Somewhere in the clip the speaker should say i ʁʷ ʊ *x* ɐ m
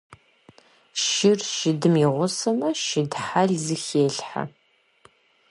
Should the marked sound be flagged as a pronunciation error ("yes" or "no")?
yes